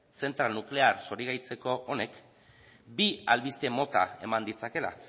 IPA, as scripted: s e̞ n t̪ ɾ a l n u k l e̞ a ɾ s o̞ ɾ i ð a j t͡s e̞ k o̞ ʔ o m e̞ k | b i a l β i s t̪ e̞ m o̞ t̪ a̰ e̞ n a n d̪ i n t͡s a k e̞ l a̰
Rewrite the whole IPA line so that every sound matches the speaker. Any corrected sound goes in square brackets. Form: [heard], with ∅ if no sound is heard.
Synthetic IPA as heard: s e̞ n t̪ ɾ a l n u k l e̞ a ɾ s o̞ ɾ i [ɣ] a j t͡s e̞ k o̞ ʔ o [n] e̞ k | b i a l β i s t̪ e̞ m o̞ t̪ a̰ e̞ [m] a n d̪ i [∅] t͡s a k e̞ l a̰

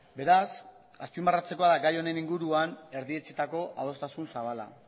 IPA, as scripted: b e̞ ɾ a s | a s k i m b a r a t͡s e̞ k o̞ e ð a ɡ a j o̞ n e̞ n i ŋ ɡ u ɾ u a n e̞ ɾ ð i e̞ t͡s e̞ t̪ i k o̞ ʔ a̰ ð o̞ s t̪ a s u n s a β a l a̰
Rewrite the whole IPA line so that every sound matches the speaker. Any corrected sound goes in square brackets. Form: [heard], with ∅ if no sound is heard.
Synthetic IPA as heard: b e̞ ɾ a s | a s [p] i m b a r a t͡s e̞ k o̞ [a] ð a ɡ a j o̞ n e̞ n i ŋ ɡ u ɾ u a n e̞ ɾ ð i e̞ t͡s e̞ t̪ [a] k o̞ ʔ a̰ ð o̞ s t̪ a s u n s a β a l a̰

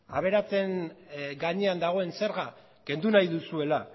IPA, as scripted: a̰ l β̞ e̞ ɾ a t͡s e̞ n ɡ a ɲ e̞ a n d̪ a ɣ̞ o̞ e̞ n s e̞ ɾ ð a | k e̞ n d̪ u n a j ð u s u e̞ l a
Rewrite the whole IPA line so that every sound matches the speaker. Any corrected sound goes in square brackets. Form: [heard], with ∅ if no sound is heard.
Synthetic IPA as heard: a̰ [∅] β̞ e̞ ɾ a t͡s e̞ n ɡ a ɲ e̞ a n d̪ a ɣ̞ o̞ e̞ n s e̞ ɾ [ɣ] a | k e̞ n d̪ u n a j ð u s u e̞ l a

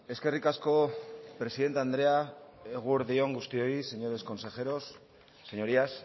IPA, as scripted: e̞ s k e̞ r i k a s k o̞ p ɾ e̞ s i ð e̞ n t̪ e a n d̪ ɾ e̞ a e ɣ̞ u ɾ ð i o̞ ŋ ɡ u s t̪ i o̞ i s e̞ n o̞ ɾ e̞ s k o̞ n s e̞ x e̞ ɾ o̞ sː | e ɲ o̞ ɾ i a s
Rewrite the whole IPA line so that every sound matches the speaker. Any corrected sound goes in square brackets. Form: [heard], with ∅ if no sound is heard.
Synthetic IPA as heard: e̞ s k e̞ r i k a s k o̞ p ɾ e̞ s i ð e̞ n t̪ e a n d̪ ɾ e̞ a e ɣ̞ u ɾ ð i o̞ ŋ ɡ u s t̪ i o̞ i s e̞ [ɲ] o̞ ɾ e̞ s k o̞ n s e̞ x e̞ ɾ o̞ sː | e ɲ o̞ ɾ i a s

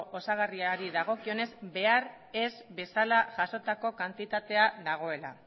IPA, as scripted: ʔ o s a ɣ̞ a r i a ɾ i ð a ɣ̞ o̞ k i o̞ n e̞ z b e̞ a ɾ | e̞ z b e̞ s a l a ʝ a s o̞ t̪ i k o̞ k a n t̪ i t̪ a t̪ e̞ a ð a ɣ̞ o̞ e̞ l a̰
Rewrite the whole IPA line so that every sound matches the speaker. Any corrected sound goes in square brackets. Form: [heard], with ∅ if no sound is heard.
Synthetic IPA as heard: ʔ o s a ɣ̞ a r i a ɾ i ð a ɣ̞ o̞ k i o̞ n e̞ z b e̞ a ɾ | e̞ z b e̞ s a l a ʝ a s o̞ t̪ [a] k o̞ k a n t̪ i t̪ a t̪ e̞ a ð a ɣ̞ o̞ e̞ l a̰

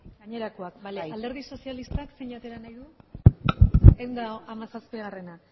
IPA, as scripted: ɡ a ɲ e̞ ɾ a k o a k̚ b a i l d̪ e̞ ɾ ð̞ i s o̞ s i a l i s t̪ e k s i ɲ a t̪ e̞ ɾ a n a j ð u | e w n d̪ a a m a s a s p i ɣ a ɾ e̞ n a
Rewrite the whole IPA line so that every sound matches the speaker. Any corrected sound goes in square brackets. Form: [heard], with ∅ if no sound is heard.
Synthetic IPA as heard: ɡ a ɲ e̞ ɾ a k o a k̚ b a [a] l d̪ e̞ ɾ ð̞ i s o̞ s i a l i s t̪ [a] k s [e] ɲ a t̪ e̞ ɾ a n a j ð u | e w n d̪ a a m a s a s p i ɣ a [r] e̞ n a

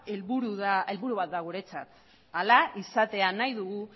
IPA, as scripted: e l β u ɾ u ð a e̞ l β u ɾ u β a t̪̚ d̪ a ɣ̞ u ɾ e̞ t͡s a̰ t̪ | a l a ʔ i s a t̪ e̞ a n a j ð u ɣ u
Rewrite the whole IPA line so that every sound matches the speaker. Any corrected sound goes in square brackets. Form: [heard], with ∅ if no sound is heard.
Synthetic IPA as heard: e l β u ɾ u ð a e̞ l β u ɾ u β a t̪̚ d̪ a ɣ̞ u ɾ e̞ t͡s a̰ t̪ | a l a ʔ i s a t̪ e̞ a n a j ð u ɣ u

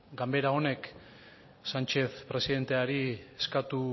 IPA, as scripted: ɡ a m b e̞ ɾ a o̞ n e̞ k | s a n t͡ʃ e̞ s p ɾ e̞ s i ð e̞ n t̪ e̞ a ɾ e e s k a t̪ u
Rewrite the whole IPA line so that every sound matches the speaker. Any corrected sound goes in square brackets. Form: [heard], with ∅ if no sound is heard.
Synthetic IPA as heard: ɡ a m b e̞ ɾ a o̞ n e̞ k | s a n t͡ʃ e̞ [θ] p ɾ e̞ s i ð e̞ n t̪ e̞ a ɾ [i] e s k a t̪ u

